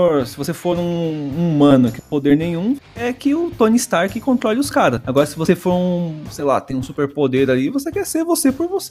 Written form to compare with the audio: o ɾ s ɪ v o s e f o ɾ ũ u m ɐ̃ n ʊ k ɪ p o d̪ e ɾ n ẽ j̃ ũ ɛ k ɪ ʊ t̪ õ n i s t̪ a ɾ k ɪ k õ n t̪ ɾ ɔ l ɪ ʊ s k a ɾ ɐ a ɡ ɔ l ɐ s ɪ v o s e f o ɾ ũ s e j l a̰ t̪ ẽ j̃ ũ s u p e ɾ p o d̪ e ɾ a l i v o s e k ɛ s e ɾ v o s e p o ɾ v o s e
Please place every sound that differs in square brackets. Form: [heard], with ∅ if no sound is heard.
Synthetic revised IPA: o ɾ s ɪ v o s e f o ɾ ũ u m ɐ̃ n ʊ k ɪ p o d̪ e ɾ n ẽ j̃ ũ ɛ k ɪ ʊ t̪ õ n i s t̪ a ɾ k ɪ k õ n t̪ ɾ ɔ l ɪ ʊ s k a ɾ ɐ a ɡ ɔ [ɾ] ɐ s ɪ v o s e f o ɾ ũ s e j l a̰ t̪ ẽ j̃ ũ s u p e ɾ p o d̪ e ɾ a l i v o s e k ɛ s e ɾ v o s e p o ɾ v o s e